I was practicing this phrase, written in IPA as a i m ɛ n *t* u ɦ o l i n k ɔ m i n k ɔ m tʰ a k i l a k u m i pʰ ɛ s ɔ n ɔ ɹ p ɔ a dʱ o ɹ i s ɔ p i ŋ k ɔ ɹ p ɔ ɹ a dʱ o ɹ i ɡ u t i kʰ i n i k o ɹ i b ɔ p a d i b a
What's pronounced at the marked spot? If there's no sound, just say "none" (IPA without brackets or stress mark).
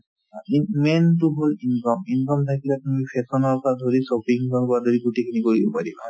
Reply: t